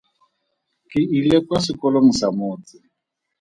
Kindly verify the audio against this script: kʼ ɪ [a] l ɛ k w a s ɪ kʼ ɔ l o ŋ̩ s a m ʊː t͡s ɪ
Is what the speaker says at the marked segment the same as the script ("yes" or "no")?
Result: no